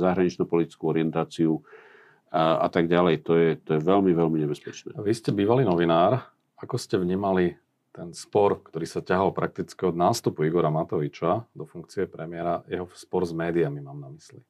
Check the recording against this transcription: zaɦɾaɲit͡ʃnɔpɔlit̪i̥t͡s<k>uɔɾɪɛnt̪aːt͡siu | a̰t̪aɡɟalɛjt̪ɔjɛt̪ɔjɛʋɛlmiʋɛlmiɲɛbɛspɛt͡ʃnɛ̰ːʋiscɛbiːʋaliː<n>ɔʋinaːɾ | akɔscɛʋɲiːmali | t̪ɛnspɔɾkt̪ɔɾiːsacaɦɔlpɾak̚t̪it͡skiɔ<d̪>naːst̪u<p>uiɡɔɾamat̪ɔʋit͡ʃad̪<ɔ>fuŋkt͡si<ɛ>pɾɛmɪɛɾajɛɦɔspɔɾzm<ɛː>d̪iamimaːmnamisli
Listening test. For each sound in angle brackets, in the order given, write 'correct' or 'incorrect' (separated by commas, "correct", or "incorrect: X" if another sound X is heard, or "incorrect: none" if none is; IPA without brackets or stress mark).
correct, correct, correct, correct, correct, correct, correct